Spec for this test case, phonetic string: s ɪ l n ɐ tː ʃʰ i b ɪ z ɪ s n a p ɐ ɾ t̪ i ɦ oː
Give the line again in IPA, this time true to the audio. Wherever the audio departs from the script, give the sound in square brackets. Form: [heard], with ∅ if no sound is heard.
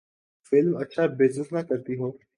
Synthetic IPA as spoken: [f] ɪ l [m] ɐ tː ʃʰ [a] b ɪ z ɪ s n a [k] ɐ ɾ t̪ i ɦ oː